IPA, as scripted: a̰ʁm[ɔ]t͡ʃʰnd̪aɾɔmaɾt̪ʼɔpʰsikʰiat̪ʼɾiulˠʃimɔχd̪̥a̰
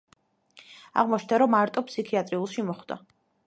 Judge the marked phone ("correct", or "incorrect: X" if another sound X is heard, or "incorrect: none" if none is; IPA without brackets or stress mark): correct